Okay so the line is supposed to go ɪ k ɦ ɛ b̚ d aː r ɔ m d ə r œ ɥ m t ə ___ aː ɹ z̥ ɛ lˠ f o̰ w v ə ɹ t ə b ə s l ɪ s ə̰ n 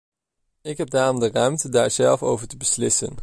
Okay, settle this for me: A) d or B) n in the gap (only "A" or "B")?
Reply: A